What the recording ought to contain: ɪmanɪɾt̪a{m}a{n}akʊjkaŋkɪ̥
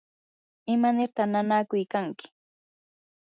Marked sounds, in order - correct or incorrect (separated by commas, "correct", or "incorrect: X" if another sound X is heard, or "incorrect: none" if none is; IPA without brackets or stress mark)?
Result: incorrect: n, correct